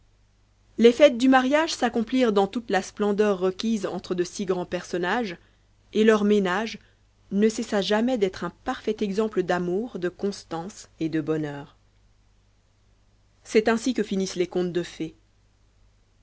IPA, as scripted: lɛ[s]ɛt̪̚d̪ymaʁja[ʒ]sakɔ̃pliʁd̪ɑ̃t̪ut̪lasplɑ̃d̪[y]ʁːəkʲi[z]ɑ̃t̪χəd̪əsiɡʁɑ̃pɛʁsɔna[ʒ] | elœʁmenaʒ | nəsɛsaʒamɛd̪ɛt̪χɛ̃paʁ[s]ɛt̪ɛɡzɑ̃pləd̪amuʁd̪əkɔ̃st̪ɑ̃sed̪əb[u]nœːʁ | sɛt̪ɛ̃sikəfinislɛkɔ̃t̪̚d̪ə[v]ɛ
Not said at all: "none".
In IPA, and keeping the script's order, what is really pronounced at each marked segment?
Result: f, ʒ, œ, z, ʒ, f, ɔ, f

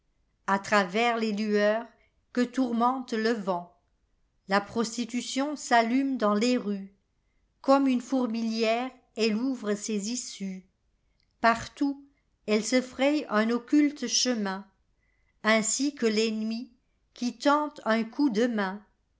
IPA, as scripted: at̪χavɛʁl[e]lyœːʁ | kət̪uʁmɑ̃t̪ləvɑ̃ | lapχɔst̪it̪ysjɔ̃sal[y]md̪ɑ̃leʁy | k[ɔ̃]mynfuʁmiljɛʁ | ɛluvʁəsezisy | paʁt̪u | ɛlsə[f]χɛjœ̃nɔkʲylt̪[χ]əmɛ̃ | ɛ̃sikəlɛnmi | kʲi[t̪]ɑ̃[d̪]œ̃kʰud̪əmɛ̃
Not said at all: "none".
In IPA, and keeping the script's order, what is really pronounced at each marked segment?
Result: e, y, ɔ, f, ʃ, t̪, t̪

